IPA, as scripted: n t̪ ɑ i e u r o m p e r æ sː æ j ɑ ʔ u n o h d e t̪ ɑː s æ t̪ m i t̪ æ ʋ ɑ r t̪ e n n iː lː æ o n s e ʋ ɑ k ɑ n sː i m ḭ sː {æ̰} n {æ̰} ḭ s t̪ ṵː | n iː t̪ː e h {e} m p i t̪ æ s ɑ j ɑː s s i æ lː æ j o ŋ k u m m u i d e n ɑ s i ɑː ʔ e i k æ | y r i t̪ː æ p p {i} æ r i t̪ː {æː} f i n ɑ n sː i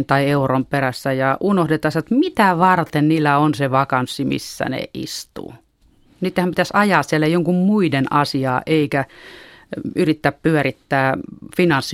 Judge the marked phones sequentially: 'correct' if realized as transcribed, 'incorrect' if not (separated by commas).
correct, incorrect, incorrect, incorrect, correct